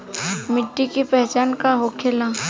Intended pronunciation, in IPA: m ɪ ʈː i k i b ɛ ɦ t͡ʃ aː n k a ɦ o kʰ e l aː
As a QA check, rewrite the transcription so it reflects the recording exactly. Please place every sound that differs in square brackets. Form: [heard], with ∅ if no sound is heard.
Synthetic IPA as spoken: m ɪ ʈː i k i [p] ɛ ɦ t͡ʃ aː n k a ɦ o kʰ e l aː